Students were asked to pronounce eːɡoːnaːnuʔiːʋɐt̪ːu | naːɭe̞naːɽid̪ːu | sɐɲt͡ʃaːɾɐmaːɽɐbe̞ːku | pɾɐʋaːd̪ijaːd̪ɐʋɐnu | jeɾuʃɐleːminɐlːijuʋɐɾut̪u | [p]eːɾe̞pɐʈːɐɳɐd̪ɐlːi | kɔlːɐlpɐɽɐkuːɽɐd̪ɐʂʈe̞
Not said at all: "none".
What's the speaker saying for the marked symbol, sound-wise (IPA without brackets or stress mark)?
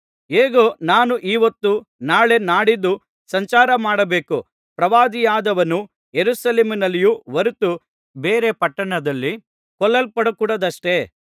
b